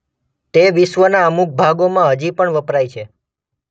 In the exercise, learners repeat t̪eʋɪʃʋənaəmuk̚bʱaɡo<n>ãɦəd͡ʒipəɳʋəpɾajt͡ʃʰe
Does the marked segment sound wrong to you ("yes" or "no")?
yes